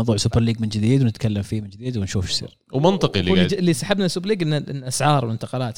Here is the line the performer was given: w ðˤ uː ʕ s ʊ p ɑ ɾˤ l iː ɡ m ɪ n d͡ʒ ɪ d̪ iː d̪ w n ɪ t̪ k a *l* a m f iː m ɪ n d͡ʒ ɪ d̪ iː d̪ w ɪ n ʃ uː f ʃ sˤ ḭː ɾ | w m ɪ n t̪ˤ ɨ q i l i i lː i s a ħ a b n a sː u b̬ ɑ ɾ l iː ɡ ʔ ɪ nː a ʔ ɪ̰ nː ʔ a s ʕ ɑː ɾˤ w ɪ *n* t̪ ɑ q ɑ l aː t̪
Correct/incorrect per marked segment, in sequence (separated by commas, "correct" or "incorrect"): incorrect, correct